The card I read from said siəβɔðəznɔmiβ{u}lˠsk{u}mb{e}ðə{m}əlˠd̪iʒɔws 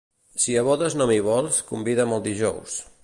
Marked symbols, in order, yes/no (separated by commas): no, yes, no, yes